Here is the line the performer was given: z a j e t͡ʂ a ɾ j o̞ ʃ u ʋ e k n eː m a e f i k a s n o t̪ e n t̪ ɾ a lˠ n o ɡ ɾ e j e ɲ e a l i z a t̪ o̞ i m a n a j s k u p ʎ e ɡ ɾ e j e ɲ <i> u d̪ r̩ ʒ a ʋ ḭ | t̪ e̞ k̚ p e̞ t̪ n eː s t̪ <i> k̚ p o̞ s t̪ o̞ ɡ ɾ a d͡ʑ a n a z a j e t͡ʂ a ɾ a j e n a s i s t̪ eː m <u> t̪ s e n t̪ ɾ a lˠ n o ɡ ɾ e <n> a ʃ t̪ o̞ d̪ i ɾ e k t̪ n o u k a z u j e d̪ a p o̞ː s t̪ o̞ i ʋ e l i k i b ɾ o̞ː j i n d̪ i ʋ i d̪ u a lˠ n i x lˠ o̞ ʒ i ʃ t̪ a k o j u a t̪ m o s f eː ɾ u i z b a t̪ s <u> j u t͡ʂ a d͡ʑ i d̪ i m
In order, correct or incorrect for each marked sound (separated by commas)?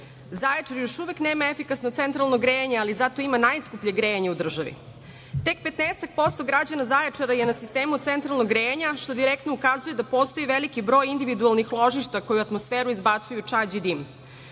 incorrect, incorrect, correct, incorrect, correct